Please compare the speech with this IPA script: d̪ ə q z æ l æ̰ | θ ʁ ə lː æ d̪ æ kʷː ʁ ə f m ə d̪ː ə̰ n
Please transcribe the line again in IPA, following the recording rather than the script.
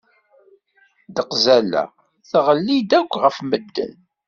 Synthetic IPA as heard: d̪ ə q z æ l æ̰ | θ ʁ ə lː i d̪ æ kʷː ʁ ə f m ə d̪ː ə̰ n